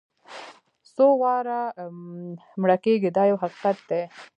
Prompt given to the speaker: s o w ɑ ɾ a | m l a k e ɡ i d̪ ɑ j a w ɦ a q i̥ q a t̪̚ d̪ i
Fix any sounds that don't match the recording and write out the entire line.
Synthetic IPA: s o w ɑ ɾ a | m ɽ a k e ɡ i d̪ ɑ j a w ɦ a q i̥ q a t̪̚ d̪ e